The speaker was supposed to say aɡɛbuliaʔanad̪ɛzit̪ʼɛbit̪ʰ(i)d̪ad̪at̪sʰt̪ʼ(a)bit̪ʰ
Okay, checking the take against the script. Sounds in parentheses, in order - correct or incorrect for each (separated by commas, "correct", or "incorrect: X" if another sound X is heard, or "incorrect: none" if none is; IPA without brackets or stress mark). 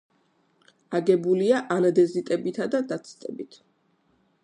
incorrect: a, incorrect: ɛ